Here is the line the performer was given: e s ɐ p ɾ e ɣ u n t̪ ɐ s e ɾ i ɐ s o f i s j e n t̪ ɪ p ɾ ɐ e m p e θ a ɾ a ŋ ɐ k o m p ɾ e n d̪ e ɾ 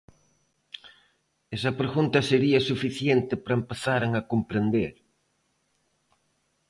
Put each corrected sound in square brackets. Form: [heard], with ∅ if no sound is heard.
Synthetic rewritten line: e s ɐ p ɾ e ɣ u n t̪ ɐ s e ɾ i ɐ s [u] f i [θ] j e n t̪ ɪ p ɾ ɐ e m p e θ a ɾ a ŋ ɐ k o m p ɾ e n d̪ e ɾ

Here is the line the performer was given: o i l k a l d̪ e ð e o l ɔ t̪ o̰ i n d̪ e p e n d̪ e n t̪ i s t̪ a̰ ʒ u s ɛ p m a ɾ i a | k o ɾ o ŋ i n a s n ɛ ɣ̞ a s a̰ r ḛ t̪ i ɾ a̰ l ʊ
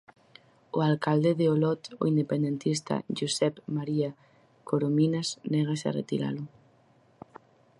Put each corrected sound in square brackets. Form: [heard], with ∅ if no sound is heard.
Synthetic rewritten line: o [a] l k a l d̪ e ð e o l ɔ t̪ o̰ i n d̪ e p e n d̪ e n t̪ i s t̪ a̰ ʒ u s ɛ p m a ɾ i a | k o ɾ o [m] i n a s n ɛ ɣ̞ a s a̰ r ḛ t̪ i ɾ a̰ l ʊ

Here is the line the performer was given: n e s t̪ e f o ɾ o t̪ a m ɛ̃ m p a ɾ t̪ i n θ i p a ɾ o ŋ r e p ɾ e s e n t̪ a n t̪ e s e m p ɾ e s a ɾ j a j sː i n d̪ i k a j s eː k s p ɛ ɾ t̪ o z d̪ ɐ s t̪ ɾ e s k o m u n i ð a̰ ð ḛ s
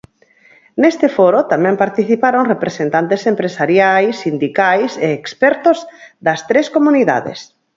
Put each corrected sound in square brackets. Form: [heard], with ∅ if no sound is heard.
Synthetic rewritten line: n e s t̪ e f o ɾ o t̪ a m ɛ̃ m p a ɾ t̪ i [∅] θ i p a ɾ o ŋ r e p ɾ e s e n t̪ a n t̪ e s e m p ɾ e s a ɾ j a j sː i n d̪ i k a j s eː k s p ɛ ɾ t̪ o z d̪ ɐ s t̪ ɾ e s k o m u n i ð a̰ ð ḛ s

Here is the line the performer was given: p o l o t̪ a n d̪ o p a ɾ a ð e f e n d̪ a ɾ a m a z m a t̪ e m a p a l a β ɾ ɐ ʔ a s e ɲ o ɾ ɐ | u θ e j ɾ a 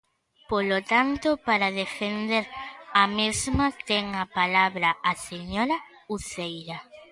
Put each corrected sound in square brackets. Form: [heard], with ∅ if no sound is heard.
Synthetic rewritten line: p o l o t̪ a n [t̪] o p a ɾ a ð e f e n d̪ [e] ɾ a m [e] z m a t̪ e [ŋ] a p a l a β ɾ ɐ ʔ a s e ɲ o ɾ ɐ | u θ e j ɾ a

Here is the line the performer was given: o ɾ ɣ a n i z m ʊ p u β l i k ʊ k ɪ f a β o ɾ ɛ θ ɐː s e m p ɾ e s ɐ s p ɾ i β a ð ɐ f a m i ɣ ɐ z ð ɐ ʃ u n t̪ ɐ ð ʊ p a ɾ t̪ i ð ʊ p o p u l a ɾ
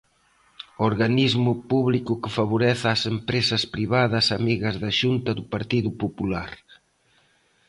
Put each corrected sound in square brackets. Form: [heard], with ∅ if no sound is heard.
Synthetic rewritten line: o ɾ ɣ a n i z m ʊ p u β l i k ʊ k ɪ f a β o ɾ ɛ θ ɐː s e m p ɾ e s ɐ s p ɾ i β a ð ɐ [s] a m i ɣ ɐ z ð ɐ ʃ u n t̪ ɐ ð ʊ p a ɾ t̪ i ð ʊ p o p u l a ɾ

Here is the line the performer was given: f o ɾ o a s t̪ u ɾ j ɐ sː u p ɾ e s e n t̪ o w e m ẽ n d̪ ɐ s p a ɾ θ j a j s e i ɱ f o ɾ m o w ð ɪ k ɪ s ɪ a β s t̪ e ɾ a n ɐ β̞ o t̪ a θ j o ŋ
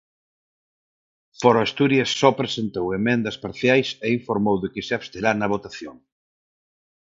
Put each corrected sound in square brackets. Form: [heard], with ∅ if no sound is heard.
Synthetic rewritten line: f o ɾ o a s t̪ u ɾ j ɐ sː [ɔ] p ɾ e s e n t̪ o w e m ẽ n d̪ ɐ s p a ɾ θ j a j s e i ɱ f o ɾ m o w ð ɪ k ɪ s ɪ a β s t̪ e ɾ a n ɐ β̞ o t̪ a θ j o ŋ

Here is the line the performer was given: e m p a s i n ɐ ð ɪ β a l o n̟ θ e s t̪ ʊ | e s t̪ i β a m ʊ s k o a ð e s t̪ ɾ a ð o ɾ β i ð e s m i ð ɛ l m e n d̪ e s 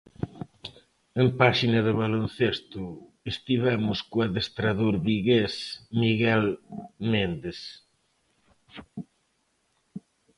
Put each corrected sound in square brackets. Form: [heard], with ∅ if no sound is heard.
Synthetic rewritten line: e m p a [ʃ] i n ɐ ð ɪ β a l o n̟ θ e s t̪ ʊ | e s t̪ i β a m ʊ s k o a ð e s t̪ ɾ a ð o ɾ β i [ɣ] e s m i [ɣ] ɛ l m e n d̪ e s

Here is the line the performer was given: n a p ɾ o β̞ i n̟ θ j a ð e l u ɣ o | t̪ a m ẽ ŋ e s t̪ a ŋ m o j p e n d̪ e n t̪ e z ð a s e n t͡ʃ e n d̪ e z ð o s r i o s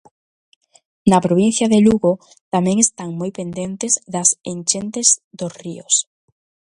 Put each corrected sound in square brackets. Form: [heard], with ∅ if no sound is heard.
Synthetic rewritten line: n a p ɾ o β̞ i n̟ θ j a ð e l u ɣ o | t̪ a m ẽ ŋ e s t̪ a ŋ m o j p e n d̪ e n t̪ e z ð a s e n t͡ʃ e n [t̪] e z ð o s r i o s

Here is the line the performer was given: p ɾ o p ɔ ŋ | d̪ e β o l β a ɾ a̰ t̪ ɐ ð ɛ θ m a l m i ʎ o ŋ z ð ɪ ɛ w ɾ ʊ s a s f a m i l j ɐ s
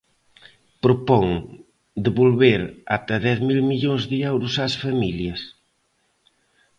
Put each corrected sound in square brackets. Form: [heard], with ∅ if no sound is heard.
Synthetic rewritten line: p ɾ o p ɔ ŋ | d̪ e β o l β [e] ɾ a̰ t̪ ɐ ð ɛ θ m [i] l m i ʎ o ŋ z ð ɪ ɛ w ɾ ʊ s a s f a m i l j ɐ s

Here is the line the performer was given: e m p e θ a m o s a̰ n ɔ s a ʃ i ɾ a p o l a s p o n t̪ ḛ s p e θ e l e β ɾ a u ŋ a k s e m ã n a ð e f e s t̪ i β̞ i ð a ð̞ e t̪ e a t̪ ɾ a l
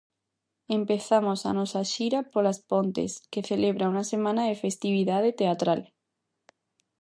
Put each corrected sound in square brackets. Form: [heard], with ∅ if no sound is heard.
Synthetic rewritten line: e m p e θ a m o s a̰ n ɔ s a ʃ i ɾ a p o l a s p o n t̪ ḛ s [k] e θ e l e β ɾ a u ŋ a [∅] s e m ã n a ð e f e s t̪ i β̞ i ð a ð̞ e t̪ e a t̪ ɾ a l

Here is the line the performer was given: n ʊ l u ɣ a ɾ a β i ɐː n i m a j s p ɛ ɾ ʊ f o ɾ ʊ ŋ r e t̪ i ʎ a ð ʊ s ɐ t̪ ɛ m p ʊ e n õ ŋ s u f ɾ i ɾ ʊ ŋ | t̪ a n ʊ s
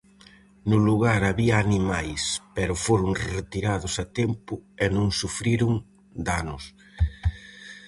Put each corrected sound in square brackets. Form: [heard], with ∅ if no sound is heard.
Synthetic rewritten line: n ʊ l u ɣ a ɾ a β i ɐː n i m a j s p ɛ ɾ ʊ f o ɾ ʊ ŋ r e t̪ i [ɾ] a ð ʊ s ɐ t̪ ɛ m p ʊ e n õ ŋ s u f ɾ i ɾ ʊ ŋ | [d̪] a n ʊ s

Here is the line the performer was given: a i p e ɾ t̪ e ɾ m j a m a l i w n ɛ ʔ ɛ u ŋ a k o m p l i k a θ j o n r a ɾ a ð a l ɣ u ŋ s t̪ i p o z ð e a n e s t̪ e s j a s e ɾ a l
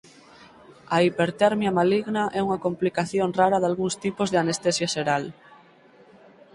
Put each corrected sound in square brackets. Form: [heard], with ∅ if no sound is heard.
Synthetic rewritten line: a i p e ɾ t̪ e ɾ m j a m a l i [ɣ] n [a] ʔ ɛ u ŋ a k o m p l i k a θ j o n r a ɾ a ð a l ɣ u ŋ s t̪ i p o z ð e a n e s t̪ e s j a s e ɾ a l

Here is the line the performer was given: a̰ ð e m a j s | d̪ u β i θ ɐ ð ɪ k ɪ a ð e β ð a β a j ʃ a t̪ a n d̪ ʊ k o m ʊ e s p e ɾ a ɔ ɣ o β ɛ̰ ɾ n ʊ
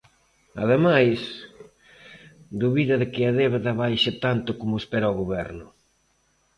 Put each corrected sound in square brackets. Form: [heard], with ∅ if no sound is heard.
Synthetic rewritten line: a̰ ð e m a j s | d̪ u β i [ð] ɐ ð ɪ k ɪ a ð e β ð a β a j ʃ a t̪ a n [t̪] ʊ k o m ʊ e s p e ɾ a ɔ ɣ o β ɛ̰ ɾ n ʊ

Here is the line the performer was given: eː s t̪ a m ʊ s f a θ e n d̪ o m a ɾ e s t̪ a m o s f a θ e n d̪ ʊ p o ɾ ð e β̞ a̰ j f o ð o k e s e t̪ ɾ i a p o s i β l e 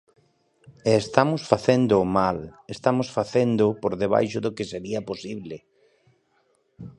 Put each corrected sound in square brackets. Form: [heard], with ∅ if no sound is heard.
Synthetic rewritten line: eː s t̪ a m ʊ s f a θ e n d̪ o m a [l] e s t̪ a m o s f a θ e n d̪ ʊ p o ɾ ð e β̞ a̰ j [ʃ] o ð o k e s e [∅] ɾ i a p o s i β l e

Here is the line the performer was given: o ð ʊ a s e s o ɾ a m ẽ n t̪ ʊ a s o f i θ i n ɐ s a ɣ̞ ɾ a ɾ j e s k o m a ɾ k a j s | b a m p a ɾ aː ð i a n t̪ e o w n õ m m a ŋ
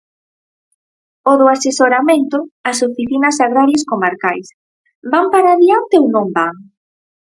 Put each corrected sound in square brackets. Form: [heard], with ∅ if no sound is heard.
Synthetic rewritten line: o ð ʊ a s e s o ɾ a m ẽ n t̪ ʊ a s o f i θ i n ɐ s a ɣ̞ ɾ a ɾ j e s k o m a ɾ k a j s | b a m p a ɾ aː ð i a n t̪ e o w n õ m [b] a ŋ

